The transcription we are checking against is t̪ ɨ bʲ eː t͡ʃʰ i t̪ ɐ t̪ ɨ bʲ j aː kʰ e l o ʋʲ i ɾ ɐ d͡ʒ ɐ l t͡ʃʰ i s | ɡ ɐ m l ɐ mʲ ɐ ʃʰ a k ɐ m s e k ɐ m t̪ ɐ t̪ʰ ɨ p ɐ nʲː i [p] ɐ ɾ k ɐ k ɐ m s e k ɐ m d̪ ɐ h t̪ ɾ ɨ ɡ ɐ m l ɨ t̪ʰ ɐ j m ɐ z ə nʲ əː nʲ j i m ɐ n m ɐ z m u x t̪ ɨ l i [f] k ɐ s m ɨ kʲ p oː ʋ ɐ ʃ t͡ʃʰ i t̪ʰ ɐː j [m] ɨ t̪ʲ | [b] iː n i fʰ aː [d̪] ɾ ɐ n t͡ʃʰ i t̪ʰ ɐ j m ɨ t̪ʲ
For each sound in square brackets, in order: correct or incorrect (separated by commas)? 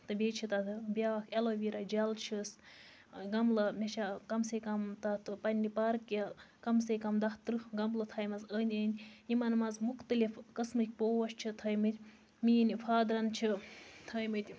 correct, correct, correct, incorrect, correct